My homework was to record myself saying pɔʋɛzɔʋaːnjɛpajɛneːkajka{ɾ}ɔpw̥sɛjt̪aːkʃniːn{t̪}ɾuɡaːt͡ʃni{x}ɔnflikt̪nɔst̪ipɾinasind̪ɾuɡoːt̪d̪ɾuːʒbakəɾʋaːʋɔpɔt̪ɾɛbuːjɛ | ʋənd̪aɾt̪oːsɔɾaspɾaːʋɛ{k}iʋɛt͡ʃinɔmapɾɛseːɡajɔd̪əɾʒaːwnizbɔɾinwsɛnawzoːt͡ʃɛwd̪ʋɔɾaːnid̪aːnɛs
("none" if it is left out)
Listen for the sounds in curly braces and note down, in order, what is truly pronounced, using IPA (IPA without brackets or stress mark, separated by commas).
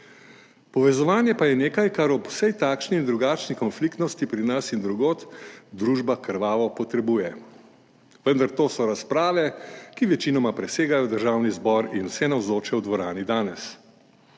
ɾ, d̪, k, k